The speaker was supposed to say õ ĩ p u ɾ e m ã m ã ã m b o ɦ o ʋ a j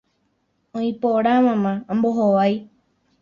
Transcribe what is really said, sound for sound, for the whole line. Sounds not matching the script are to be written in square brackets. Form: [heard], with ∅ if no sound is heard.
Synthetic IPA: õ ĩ p [o] ɾ [a] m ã m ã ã m b o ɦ o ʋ a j